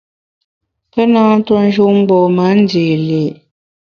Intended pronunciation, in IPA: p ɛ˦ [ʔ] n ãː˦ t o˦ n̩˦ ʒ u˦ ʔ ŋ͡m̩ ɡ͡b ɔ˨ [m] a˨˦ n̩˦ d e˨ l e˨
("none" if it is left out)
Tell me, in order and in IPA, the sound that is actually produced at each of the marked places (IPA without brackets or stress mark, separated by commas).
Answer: none, m